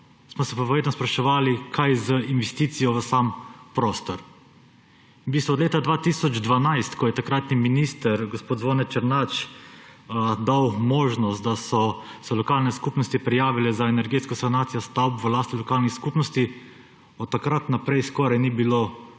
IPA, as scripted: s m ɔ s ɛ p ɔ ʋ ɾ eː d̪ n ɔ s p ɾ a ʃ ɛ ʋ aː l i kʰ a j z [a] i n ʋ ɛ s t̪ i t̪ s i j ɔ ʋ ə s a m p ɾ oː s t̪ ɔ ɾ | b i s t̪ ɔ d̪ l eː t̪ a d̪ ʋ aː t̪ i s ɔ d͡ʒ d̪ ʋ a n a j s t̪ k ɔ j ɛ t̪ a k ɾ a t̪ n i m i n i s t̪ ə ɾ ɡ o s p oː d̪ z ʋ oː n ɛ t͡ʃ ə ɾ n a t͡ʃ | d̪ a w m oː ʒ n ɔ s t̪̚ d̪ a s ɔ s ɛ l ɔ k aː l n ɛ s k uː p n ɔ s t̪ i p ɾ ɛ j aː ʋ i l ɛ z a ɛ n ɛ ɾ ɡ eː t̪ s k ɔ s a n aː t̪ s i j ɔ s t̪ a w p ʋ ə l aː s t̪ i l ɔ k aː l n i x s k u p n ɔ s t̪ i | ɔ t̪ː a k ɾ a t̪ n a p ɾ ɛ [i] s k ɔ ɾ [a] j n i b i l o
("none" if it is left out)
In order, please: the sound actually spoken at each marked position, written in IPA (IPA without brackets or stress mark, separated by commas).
ə, j, a